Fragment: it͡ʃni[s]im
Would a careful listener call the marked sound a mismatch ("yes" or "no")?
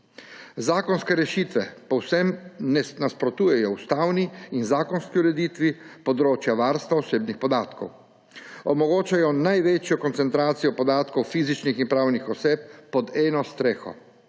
yes